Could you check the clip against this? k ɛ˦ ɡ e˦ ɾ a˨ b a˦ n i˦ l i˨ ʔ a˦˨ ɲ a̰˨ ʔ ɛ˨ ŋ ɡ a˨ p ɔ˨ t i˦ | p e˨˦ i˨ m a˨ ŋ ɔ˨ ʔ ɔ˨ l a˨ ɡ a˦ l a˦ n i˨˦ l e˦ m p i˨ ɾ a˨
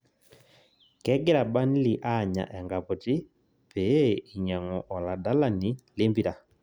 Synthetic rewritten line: k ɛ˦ ɡ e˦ ɾ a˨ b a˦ n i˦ l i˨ ʔ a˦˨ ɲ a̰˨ ʔ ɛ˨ ŋ ɡ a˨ p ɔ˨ t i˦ | p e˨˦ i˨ ɲ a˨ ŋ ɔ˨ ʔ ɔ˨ l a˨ d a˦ l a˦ n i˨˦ l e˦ m b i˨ ɾ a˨